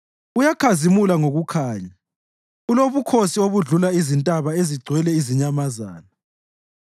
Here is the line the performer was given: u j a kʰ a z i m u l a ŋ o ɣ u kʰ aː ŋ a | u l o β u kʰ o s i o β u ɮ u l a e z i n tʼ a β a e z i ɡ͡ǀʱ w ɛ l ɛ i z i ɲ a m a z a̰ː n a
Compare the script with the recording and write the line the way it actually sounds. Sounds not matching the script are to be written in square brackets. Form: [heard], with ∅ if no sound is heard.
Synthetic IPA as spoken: u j a kʰ a z i m u l a ŋ o ɣ u kʰ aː [ɲ] a | u l o β u kʰ o s i o β u ɮ u l a [i] z i n tʼ a β a e z i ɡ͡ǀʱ w ɛ l ɛ i z i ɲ a m a z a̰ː n a

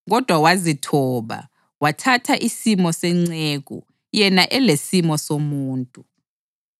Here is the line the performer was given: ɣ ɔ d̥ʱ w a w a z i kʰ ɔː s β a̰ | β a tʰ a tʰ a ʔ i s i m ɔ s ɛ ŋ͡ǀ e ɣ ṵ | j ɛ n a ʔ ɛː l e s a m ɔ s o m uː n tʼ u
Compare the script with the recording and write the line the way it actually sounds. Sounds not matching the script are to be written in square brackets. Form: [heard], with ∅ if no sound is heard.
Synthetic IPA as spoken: ɣ ɔ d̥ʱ w a w a z i [tʰ] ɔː [∅] β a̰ | [w] a tʰ a tʰ a ʔ i s i m ɔ s ɛ ŋ͡ǀ e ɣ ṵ | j ɛ n a ʔ [ɛ] l e s [i] m ɔ s o m uː n tʼ u

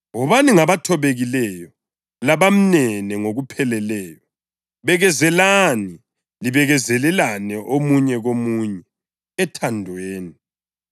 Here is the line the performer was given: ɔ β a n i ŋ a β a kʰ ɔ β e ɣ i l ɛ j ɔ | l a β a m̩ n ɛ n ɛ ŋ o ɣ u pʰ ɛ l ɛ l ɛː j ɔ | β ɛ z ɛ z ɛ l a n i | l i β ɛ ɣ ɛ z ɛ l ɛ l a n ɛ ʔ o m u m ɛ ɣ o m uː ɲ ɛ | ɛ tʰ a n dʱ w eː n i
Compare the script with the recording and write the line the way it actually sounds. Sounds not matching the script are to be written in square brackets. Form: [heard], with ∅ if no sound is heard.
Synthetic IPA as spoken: ɔ β a n i ŋ a β a [tʰ] ɔ β e ɣ i l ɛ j ɔ | l a β a m̩ n ɛ n ɛ ŋ o ɣ u pʰ ɛ l ɛ l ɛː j ɔ | β ɛ [ɣ] ɛ z ɛ l a n i | l i β ɛ ɣ ɛ z ɛ l ɛ l a n ɛ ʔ o m u [ɲ] ɛ ɣ o m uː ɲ ɛ | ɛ tʰ a n dʱ w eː n i

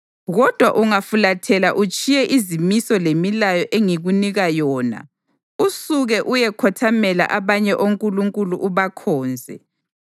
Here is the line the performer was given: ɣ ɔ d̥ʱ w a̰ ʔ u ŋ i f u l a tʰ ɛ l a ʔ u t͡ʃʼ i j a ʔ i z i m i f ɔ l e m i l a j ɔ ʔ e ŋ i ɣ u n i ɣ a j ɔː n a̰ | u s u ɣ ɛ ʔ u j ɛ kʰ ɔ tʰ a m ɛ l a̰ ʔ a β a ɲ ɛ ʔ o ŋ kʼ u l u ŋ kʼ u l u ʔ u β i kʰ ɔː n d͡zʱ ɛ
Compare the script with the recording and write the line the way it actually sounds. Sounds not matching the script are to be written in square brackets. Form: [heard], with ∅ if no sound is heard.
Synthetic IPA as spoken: ɣ ɔ d̥ʱ w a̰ ʔ u ŋ [a] f u l a tʰ ɛ l a ʔ u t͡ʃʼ i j [ɛ] ʔ i z i m i [s] ɔ l e m i l a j ɔ ʔ e ŋ i ɣ u n i ɣ a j ɔː n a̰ | u s u ɣ ɛ ʔ u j ɛ kʰ ɔ tʰ a m ɛ l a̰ ʔ a β a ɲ ɛ ʔ o ŋ kʼ u l u ŋ kʼ u l u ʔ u β [a] kʰ ɔː n d͡zʱ ɛ

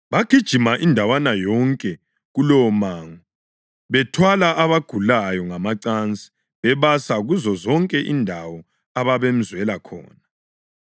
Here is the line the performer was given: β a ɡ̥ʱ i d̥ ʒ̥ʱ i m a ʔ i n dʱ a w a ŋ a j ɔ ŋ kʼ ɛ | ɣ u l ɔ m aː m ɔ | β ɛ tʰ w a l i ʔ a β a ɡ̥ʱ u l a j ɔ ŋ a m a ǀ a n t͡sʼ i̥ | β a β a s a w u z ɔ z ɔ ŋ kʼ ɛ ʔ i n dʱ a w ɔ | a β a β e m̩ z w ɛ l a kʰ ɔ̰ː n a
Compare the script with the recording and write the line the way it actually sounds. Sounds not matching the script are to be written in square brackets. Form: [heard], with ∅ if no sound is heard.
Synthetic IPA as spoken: β a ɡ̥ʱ i d̥ ʒ̥ʱ i m a ʔ i n dʱ a w a [n] a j ɔ ŋ kʼ ɛ | ɣ u l ɔ m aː [ŋ] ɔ | β ɛ tʰ w a l [a] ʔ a β a ɡ̥ʱ u l a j ɔ ŋ a m a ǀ a n t͡sʼ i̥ | β [ɛ] β a s a [ɣ] u z ɔ z ɔ ŋ kʼ ɛ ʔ i n dʱ a w ɔ | a β a β e m̩ z w ɛ l a kʰ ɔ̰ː n a

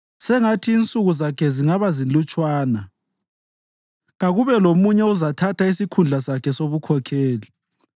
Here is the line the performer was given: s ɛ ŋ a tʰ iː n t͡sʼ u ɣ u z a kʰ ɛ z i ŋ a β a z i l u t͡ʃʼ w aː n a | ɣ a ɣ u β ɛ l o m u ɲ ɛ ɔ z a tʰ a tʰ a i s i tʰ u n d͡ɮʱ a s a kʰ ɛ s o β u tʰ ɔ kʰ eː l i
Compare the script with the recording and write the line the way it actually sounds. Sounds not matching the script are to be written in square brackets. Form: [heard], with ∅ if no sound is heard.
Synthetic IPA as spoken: s ɛ ŋ a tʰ iː n t͡sʼ u ɣ u z a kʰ ɛ z i ŋ a β a z i l u t͡ʃʼ w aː n a | ɣ a ɣ u β ɛ l o m u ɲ ɛ [u] z a tʰ a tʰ a i s i [kʰ] u n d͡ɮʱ a s a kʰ ɛ s o β u [kʰ] ɔ kʰ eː l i

